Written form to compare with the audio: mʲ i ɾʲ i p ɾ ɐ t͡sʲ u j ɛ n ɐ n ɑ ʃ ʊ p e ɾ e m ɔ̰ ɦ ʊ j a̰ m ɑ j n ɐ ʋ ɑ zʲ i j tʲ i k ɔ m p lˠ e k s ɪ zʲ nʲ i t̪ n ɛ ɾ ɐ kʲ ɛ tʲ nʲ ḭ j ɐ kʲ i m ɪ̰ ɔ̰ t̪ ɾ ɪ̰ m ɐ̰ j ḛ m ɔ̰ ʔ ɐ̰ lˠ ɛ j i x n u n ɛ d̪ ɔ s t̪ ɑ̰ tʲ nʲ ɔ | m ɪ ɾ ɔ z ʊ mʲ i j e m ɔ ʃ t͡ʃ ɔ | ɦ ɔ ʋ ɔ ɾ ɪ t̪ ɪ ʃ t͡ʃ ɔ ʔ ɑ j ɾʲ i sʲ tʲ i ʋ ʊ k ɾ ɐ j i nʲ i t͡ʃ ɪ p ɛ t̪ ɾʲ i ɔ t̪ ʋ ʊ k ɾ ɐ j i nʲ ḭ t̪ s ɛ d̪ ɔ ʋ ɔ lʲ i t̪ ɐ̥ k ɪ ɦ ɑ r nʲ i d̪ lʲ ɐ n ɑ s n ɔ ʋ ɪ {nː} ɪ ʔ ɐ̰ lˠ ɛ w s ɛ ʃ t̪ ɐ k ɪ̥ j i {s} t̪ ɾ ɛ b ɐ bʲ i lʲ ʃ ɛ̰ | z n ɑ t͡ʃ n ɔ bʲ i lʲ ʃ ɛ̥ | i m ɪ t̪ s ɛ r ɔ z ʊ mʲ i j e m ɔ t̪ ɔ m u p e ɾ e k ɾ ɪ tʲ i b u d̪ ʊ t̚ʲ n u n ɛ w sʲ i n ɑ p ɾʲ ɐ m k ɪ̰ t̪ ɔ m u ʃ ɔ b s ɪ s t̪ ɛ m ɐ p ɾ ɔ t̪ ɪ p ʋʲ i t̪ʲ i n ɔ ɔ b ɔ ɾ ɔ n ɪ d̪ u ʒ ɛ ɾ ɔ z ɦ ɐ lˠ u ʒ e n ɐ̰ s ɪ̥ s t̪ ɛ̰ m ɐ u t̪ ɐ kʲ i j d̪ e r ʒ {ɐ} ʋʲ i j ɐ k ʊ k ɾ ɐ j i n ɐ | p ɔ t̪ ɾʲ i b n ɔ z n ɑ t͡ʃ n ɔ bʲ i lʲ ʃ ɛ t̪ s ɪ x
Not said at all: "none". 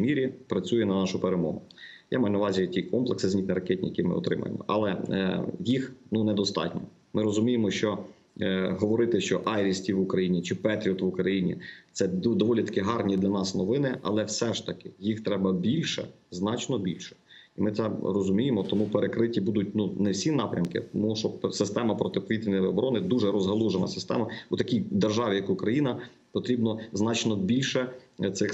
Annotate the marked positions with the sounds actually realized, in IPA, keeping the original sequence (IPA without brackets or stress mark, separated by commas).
n, x, ɑ